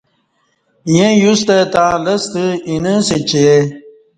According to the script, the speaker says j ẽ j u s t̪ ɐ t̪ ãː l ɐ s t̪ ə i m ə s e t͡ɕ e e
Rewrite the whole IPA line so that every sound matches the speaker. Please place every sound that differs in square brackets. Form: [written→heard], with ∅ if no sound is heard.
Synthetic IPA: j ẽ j u s t̪ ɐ t̪ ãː l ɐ s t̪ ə i [m→n] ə s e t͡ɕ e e